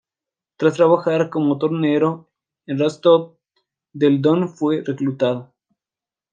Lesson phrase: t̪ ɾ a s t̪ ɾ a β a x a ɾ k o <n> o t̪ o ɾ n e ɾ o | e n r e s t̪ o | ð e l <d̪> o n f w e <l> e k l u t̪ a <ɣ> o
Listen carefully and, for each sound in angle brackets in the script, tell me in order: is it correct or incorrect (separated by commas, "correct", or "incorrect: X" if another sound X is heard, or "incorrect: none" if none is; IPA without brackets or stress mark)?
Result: incorrect: m, correct, incorrect: r, incorrect: ð